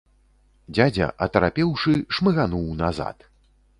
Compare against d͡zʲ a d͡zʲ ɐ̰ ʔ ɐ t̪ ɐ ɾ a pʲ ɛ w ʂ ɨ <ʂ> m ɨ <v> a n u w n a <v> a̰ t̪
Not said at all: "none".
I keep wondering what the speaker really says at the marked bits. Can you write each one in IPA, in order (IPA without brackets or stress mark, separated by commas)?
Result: ʂ, ɣ, z